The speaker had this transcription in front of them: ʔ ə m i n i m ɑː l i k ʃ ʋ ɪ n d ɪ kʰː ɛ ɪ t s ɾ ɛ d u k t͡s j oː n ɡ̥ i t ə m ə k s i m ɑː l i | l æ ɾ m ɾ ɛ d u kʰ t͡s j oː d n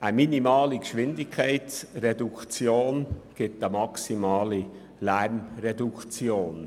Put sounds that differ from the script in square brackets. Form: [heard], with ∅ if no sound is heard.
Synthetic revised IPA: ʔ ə m i n i m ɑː l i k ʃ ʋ ɪ n d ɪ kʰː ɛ ɪ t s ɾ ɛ d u k t͡s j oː n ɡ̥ [ɪ] t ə m [ɑ] k s i m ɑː l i | l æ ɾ m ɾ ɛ d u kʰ t͡s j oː [∅] n